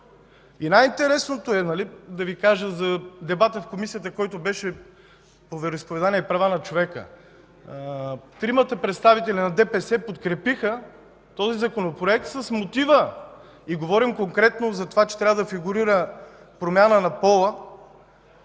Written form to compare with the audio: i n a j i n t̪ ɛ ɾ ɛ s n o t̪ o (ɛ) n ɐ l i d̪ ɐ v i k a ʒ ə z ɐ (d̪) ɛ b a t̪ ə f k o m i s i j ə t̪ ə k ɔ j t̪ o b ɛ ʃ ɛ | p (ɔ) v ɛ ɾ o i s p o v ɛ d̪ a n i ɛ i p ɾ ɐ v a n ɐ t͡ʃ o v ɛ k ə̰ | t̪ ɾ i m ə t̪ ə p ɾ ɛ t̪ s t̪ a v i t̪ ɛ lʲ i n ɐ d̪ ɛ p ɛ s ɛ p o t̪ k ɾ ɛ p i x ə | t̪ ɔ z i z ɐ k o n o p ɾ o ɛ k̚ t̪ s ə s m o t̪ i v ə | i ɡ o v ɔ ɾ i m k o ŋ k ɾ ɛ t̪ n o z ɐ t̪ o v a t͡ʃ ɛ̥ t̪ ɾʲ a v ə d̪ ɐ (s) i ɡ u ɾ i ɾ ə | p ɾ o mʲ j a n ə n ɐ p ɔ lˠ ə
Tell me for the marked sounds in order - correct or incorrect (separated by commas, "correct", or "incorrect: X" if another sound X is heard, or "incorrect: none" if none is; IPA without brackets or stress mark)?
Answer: correct, correct, incorrect: o, incorrect: f